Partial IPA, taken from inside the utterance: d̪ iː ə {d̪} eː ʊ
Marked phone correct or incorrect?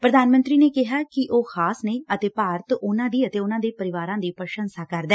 incorrect